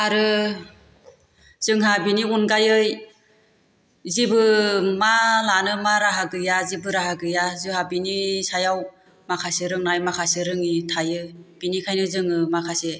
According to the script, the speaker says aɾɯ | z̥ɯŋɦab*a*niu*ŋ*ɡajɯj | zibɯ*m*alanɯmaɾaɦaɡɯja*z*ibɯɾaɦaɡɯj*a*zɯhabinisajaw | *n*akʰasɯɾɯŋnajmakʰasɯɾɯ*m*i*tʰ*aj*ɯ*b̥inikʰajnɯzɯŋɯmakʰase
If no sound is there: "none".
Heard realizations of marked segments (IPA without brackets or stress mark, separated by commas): i, n, m, z, a, m, ŋ, tʰ, ɯ